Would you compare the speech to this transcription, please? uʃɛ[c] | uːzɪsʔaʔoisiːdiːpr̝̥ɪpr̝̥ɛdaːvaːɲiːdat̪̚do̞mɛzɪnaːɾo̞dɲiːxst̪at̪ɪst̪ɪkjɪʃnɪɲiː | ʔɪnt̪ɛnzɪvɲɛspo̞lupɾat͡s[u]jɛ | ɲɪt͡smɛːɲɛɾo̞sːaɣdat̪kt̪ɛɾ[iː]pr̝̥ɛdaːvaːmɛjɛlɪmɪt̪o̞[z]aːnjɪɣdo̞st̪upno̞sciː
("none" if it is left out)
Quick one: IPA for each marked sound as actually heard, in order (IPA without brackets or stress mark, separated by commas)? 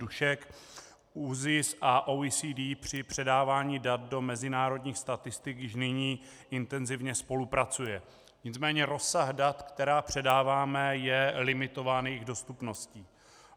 k, u, aː, v